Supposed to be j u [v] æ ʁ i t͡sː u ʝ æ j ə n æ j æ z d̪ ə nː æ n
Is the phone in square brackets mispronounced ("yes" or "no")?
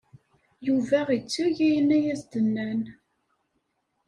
no